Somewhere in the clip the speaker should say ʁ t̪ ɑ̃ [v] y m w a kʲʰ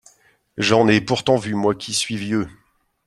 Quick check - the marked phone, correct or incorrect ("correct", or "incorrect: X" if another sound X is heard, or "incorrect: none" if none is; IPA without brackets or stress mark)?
correct